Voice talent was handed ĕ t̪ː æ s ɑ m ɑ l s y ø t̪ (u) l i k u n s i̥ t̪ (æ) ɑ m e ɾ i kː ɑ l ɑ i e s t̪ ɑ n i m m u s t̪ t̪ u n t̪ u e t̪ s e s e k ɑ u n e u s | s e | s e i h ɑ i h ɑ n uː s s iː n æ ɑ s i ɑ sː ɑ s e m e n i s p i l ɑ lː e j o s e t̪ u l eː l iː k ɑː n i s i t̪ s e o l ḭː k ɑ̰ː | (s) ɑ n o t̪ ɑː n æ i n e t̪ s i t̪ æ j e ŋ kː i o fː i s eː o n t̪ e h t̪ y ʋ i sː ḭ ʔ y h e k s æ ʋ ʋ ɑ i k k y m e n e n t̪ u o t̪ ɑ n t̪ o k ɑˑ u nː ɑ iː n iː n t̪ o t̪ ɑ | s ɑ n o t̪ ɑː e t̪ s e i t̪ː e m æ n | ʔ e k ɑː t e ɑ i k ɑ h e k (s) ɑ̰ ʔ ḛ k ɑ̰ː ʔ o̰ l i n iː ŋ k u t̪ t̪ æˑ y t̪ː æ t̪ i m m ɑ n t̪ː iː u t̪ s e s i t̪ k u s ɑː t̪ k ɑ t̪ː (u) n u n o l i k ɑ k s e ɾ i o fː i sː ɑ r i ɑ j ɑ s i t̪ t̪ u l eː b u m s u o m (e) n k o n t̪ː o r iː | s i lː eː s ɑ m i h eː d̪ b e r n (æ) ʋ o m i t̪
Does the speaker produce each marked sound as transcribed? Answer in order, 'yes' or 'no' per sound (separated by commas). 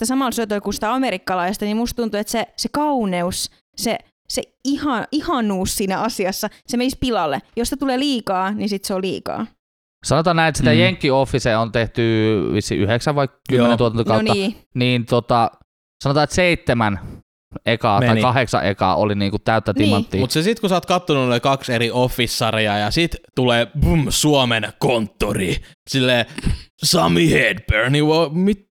no, yes, yes, yes, no, yes, no